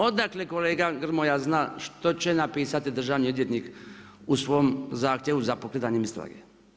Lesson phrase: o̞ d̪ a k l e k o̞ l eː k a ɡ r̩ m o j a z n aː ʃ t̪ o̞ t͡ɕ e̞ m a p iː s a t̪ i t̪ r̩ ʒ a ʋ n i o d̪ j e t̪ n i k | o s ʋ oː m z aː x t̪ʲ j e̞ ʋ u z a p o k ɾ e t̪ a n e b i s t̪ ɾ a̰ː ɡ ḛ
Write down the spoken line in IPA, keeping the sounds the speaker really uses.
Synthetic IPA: o̞ d̪ a k l e k o̞ l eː ɡ a ɡ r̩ m o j a z n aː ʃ t̪ o̞ t͡ɕ e̞ n a p iː s a t̪ i d̪ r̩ ʒ a ʋ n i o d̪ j e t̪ n i k | u s ʋ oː m z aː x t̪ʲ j e̞ ʋ u z a p o k ɾ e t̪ a ɲ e m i s t̪ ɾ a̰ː ɡ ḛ